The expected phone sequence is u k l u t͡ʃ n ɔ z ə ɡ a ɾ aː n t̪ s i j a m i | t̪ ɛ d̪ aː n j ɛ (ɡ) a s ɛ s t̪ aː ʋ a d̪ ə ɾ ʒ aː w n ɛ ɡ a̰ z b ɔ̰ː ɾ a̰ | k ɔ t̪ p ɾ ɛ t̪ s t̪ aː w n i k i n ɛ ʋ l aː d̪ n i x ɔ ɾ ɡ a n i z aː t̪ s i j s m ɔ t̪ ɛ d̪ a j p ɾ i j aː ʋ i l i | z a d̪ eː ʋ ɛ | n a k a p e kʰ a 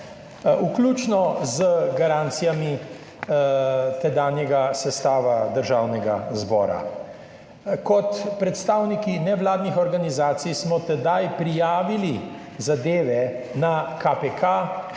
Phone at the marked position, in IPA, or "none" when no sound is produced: ɡ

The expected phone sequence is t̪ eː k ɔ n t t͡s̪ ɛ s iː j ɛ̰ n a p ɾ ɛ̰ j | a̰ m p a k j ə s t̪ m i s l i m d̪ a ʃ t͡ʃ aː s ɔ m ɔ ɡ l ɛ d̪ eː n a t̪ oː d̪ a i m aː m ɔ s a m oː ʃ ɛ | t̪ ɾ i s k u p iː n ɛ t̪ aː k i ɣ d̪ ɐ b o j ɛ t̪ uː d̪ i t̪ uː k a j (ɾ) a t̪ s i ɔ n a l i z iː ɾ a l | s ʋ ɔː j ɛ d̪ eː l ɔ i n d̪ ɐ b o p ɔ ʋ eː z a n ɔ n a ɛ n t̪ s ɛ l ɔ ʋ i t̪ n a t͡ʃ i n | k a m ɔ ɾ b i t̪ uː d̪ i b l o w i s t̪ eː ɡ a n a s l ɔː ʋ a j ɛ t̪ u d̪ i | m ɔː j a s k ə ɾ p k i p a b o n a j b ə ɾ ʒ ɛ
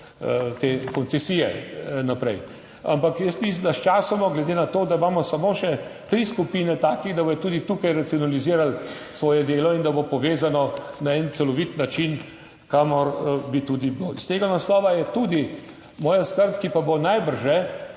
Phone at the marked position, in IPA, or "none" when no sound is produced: ɾ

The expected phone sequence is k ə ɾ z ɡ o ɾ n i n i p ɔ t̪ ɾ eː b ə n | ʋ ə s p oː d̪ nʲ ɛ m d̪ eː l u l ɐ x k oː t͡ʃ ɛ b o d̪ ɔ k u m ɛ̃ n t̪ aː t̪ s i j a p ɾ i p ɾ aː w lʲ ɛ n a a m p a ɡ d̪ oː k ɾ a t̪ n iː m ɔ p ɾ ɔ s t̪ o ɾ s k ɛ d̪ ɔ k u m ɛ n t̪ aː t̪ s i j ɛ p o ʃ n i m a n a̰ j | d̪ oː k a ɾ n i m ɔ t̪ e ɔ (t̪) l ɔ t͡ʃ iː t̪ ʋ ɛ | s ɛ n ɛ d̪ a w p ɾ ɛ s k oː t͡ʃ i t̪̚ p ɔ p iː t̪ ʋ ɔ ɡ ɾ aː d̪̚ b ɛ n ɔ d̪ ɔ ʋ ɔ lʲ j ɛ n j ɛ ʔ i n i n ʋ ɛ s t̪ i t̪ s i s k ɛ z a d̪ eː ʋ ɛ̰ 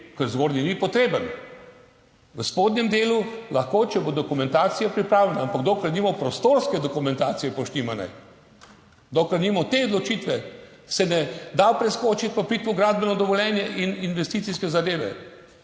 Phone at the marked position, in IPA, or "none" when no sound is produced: d̪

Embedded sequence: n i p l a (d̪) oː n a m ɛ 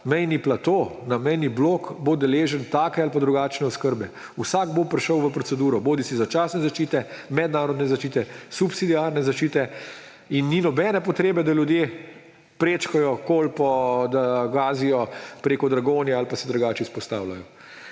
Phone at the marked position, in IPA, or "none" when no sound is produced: t̪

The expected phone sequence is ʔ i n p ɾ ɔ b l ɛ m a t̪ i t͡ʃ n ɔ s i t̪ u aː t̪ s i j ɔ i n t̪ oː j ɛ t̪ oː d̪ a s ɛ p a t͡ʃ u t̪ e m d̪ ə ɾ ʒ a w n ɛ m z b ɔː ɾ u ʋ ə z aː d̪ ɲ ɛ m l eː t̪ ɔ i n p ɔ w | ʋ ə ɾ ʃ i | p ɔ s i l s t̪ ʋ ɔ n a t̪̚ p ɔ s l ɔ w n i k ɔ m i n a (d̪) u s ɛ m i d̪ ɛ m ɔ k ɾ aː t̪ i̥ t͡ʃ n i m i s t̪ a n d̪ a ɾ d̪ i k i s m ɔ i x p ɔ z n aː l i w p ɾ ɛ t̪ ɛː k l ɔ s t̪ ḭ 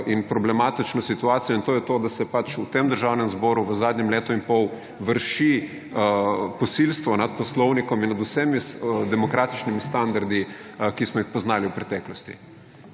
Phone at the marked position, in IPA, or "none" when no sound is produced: d̪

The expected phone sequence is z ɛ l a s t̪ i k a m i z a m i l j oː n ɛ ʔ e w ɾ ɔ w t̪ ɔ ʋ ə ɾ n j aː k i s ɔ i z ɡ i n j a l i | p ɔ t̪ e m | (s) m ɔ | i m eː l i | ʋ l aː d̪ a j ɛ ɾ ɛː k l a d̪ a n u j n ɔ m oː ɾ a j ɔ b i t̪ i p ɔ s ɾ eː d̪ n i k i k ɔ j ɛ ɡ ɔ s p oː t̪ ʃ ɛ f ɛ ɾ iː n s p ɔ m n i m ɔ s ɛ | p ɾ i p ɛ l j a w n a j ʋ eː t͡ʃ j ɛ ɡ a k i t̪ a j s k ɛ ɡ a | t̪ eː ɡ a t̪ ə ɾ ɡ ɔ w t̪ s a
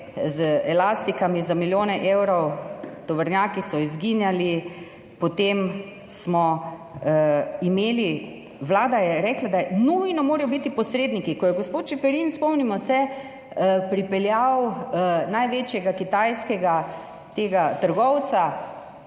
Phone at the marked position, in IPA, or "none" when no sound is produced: s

